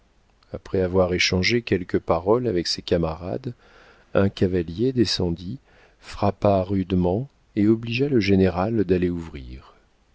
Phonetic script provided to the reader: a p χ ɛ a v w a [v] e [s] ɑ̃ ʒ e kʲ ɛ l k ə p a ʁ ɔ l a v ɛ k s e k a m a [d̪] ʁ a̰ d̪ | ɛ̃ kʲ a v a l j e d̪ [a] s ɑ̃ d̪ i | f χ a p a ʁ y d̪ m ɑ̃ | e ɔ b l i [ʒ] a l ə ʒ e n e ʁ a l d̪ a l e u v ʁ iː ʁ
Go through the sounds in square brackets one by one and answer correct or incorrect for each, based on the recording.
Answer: incorrect, incorrect, incorrect, incorrect, correct

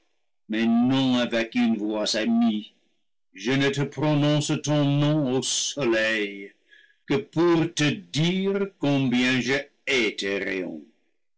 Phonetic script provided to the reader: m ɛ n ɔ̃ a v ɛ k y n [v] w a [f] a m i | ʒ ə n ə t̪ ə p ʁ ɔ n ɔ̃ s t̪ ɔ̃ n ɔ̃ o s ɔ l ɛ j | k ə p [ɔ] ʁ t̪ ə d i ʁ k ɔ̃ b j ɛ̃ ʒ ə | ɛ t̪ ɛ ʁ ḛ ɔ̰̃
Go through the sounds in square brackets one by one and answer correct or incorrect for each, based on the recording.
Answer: correct, incorrect, incorrect

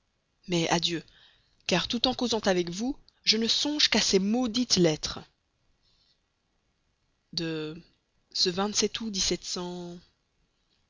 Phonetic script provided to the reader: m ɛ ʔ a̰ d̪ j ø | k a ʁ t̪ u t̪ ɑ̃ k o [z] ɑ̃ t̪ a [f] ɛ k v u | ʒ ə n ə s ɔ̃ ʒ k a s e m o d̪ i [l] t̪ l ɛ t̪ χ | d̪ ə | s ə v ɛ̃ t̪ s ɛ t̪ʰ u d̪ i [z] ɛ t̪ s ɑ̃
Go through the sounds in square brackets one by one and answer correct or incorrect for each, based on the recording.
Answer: correct, incorrect, incorrect, incorrect

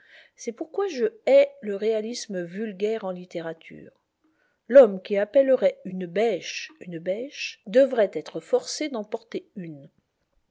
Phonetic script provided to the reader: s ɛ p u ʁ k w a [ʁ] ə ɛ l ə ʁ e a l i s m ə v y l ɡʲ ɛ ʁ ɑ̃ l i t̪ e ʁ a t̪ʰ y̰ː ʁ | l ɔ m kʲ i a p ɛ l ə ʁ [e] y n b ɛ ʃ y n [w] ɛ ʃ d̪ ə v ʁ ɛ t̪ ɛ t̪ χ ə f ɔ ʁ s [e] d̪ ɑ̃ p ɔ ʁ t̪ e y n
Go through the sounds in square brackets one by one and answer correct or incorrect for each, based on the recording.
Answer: incorrect, incorrect, incorrect, correct

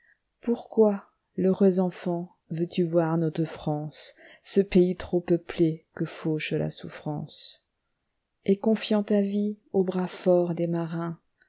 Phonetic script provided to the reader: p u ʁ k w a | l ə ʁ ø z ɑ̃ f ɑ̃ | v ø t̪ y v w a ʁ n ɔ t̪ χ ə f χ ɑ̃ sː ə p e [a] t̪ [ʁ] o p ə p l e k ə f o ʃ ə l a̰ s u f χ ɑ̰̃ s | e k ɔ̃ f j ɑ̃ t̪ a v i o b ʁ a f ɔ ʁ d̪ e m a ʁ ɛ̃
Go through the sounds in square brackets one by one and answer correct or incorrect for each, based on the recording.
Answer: incorrect, incorrect

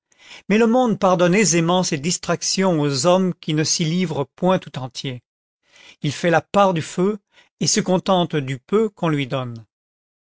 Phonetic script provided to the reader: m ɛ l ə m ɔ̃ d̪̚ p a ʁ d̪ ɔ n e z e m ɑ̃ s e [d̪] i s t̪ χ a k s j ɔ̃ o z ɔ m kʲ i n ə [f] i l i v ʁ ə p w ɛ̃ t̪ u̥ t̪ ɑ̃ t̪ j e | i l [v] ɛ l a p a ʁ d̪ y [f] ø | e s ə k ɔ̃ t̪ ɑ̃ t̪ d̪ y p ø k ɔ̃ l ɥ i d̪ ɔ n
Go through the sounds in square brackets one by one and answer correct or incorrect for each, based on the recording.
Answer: correct, incorrect, incorrect, correct

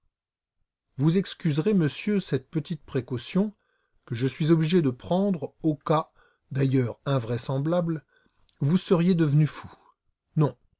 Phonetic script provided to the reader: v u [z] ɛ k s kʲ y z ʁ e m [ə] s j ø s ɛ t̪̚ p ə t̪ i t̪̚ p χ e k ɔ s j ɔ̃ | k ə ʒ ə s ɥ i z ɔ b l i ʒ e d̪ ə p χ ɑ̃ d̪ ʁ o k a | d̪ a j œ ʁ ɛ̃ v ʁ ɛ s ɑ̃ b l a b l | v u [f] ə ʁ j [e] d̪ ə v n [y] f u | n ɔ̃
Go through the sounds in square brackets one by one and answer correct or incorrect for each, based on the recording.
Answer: correct, correct, incorrect, correct, correct

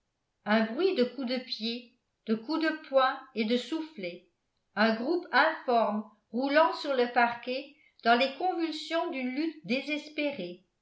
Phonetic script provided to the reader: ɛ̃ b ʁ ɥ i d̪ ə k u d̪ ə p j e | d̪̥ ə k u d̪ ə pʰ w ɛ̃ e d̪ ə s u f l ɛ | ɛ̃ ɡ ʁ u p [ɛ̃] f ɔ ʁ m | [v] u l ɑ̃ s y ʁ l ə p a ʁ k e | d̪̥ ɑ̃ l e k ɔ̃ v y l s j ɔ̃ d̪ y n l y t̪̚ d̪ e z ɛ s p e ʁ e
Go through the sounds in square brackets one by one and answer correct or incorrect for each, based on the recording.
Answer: correct, incorrect

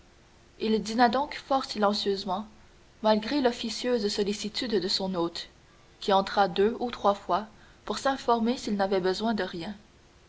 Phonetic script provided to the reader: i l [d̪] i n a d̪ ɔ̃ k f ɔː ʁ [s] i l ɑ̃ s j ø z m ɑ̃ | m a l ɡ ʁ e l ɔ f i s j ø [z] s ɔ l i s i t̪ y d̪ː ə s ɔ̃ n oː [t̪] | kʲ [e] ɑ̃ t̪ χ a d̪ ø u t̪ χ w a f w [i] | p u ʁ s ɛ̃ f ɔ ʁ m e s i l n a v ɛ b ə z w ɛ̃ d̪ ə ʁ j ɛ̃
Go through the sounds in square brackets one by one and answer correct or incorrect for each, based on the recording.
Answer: correct, correct, correct, correct, incorrect, incorrect

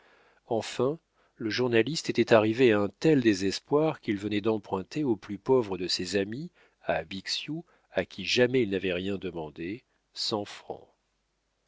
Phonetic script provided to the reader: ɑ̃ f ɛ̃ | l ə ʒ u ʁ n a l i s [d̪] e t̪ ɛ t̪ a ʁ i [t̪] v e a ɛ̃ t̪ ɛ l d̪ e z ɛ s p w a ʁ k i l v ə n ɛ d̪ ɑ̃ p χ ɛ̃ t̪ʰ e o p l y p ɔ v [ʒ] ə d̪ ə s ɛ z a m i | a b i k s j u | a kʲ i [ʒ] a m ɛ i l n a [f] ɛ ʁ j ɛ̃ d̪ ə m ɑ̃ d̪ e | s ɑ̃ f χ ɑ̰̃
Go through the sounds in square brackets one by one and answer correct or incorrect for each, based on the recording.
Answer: incorrect, incorrect, incorrect, correct, incorrect

